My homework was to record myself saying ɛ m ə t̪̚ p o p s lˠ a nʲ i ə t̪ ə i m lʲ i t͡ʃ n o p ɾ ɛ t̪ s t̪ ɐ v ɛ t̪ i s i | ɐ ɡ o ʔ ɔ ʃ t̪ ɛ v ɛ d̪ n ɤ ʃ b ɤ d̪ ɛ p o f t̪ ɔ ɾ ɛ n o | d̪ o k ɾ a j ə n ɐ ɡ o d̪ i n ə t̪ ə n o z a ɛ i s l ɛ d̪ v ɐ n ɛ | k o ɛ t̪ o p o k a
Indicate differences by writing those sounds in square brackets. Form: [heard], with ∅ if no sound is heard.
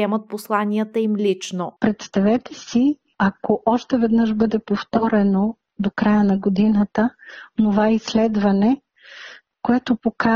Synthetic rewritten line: ɛ m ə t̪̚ p o [∅] s lˠ a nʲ i ə t̪ ə i m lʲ i t͡ʃ n o p ɾ ɛ t̪ s t̪ ɐ v ɛ t̪ [ɛ] s i | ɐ [k] o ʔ ɔ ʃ t̪ ɛ v ɛ d̪ n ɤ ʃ b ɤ d̪ ɛ p o f t̪ ɔ ɾ ɛ n o | d̪ o k ɾ a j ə n ɐ ɡ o d̪ i n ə t̪ ə n o [v] a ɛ i s l ɛ d̪ v ɐ n ɛ | k o ɛ t̪ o p o k a